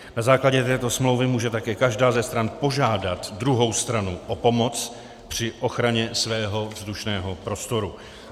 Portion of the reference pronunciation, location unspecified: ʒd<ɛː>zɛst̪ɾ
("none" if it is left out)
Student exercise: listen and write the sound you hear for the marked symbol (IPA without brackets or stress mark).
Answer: aː